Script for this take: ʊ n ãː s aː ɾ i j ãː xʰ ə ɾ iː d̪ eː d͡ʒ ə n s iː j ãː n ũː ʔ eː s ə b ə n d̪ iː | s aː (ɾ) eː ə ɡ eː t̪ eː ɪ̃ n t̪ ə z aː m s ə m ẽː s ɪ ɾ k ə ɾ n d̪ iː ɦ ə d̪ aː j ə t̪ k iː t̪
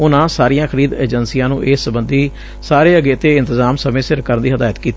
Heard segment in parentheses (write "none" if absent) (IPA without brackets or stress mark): ɾ